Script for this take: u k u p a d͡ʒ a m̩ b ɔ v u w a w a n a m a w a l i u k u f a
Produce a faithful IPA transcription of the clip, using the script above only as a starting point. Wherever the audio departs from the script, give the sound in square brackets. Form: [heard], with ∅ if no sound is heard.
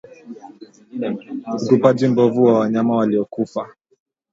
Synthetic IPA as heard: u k u p a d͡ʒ [i] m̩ b ɔ v u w a w a [ɲ] a m a w a l i [ɔ] k u f a